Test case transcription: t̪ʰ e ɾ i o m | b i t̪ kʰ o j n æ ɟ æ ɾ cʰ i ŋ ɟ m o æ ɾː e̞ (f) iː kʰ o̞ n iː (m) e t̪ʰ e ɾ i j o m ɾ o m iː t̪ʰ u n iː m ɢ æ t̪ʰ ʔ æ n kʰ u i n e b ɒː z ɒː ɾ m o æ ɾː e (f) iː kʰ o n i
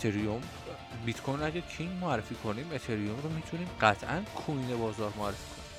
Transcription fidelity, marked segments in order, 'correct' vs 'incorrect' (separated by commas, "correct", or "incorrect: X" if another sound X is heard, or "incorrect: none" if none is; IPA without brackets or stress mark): correct, correct, correct